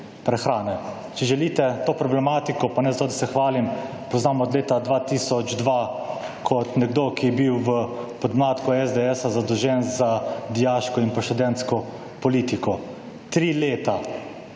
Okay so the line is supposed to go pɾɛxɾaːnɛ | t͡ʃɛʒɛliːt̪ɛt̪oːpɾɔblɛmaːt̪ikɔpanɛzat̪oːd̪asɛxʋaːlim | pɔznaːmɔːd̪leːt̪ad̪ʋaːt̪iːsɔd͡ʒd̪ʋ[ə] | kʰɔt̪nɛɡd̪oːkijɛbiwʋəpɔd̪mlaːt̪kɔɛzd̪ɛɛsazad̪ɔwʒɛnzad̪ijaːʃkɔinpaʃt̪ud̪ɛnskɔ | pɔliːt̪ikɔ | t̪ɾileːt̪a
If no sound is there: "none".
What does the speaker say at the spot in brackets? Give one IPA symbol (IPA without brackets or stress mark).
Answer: a